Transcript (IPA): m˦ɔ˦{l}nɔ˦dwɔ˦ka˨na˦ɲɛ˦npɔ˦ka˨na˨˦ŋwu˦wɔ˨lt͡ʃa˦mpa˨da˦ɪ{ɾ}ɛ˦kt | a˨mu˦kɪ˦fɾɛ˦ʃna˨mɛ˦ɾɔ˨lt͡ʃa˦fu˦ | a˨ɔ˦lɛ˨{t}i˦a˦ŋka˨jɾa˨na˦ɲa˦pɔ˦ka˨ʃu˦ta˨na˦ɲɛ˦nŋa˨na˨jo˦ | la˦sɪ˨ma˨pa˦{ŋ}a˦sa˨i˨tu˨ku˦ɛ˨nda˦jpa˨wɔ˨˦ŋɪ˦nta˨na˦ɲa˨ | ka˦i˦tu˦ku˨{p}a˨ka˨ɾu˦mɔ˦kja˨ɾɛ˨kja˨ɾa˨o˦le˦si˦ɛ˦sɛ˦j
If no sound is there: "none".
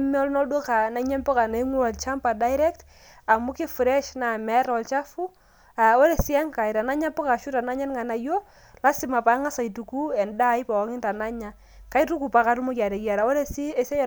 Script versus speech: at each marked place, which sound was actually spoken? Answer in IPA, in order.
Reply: l, ɾ, s, ŋ, p

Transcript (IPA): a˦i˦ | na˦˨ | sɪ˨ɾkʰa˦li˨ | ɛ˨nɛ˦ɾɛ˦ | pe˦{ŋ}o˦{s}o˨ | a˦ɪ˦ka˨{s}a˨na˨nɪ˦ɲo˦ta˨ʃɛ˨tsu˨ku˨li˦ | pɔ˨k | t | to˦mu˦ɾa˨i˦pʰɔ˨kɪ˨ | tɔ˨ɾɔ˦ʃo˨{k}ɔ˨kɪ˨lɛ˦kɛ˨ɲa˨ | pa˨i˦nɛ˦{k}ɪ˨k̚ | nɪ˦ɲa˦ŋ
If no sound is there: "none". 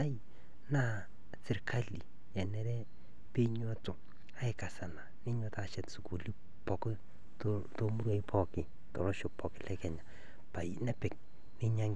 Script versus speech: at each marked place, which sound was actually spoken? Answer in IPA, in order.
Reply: ɲ, t, s, p, p

